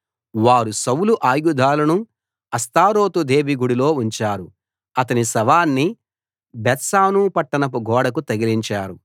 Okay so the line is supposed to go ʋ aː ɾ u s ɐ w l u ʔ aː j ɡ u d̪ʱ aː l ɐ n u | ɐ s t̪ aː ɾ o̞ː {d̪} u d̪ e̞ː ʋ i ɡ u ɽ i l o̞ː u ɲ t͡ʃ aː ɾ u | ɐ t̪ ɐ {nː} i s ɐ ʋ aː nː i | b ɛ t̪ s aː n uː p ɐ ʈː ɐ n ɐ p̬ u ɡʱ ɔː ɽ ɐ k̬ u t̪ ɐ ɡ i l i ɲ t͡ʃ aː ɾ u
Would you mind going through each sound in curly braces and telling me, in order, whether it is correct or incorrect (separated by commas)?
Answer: incorrect, incorrect